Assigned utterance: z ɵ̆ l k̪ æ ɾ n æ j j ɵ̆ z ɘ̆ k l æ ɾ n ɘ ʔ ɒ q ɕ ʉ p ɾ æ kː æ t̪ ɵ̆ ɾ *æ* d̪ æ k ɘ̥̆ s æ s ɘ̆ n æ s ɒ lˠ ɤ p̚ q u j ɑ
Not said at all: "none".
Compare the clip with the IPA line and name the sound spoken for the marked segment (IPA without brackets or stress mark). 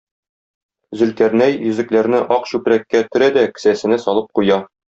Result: æ